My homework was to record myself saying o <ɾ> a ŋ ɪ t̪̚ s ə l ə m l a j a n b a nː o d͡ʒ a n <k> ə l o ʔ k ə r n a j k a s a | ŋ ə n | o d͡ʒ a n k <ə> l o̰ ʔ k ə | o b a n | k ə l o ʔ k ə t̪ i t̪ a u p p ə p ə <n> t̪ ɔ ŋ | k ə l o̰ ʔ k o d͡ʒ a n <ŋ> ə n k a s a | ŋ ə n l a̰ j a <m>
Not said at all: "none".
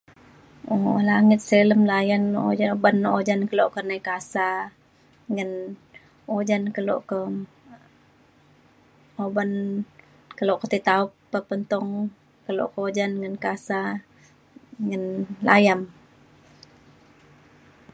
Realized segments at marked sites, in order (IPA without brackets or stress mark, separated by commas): l, k, ə, n, ŋ, m